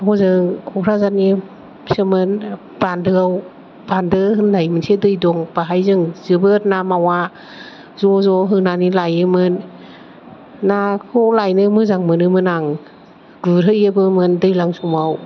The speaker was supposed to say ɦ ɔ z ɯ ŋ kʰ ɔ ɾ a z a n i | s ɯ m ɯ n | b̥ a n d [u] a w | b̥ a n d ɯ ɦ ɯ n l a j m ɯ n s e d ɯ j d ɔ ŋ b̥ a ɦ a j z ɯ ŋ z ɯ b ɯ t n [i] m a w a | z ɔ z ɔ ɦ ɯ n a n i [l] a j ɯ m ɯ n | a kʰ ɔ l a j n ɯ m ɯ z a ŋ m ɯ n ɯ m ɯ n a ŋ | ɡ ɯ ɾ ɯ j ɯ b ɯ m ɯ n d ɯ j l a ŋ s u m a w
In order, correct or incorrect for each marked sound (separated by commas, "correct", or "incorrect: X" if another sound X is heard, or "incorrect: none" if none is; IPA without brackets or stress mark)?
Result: incorrect: ɯ, incorrect: a, correct